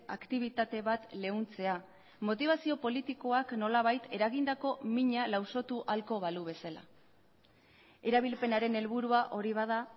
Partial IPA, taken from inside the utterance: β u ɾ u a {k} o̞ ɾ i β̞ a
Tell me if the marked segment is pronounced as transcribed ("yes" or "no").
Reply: no